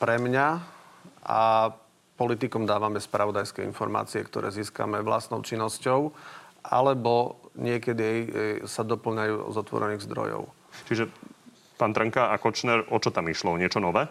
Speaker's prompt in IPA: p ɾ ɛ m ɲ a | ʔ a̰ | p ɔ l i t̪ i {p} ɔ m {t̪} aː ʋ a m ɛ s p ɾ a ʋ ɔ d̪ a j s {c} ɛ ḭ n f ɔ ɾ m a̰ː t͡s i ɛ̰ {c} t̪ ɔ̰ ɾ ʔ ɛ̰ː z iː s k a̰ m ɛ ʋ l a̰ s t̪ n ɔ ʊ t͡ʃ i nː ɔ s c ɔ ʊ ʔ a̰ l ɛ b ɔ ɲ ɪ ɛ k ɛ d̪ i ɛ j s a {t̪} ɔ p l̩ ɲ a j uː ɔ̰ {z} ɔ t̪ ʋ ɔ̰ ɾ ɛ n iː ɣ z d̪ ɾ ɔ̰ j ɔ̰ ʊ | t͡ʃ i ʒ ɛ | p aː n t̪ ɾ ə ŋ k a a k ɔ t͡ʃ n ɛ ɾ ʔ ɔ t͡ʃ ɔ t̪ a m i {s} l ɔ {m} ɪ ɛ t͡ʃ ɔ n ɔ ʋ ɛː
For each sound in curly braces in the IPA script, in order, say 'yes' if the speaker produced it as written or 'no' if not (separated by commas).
no, no, no, no, no, yes, no, no